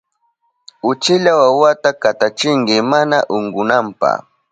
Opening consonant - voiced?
no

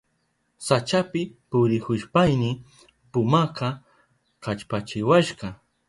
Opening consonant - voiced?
no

